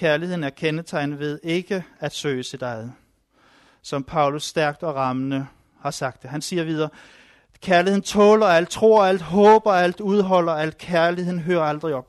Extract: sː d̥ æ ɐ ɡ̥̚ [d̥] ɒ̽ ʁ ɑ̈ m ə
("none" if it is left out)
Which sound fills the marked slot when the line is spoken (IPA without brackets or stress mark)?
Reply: d̥